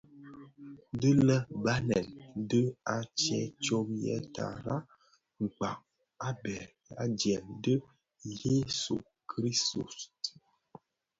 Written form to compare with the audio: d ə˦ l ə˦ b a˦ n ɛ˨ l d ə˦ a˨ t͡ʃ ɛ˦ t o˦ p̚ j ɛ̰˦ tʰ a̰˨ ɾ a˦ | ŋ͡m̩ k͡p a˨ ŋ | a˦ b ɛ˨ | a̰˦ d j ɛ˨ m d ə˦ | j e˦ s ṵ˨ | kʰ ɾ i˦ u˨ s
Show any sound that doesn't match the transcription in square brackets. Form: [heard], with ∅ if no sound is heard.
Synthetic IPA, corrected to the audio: d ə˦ l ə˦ b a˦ n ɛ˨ l d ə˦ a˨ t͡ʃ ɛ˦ [t͡ʃ] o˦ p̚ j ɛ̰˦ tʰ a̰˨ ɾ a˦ | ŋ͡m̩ k͡p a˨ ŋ | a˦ b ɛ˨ | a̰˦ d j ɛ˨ m d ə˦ | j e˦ s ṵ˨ | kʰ ɾ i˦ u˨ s